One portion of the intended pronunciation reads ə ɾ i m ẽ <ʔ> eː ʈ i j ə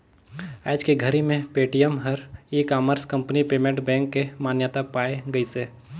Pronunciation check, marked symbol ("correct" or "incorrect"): incorrect